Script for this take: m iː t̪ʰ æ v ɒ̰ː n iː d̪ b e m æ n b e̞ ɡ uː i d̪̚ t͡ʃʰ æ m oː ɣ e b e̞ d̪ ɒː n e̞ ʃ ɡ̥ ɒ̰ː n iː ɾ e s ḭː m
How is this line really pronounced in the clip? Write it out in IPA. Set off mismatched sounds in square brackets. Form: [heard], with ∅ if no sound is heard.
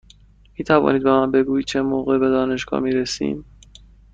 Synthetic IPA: m iː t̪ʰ æ v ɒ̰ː n iː d̪ b e m æ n b e̞ ɡ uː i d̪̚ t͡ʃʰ [e] m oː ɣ e b e̞ d̪ ɒː n e̞ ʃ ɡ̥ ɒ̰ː [m] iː ɾ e s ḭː m